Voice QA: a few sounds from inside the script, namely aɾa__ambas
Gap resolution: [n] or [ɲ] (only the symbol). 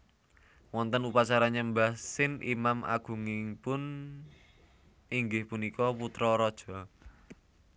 ɲ